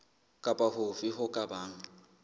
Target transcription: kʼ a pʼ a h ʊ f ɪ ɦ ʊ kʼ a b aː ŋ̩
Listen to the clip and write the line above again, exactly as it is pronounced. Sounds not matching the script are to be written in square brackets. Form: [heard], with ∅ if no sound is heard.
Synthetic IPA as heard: kʼ a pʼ a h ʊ f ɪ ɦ ʊ kʼ a b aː ŋ̩